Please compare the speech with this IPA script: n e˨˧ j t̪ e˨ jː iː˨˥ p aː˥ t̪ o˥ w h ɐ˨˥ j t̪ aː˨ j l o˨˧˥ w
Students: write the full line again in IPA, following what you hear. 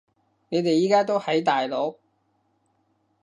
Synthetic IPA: n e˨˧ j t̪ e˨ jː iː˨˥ k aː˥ t̪ o˥ w h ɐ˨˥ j t̪ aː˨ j l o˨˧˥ w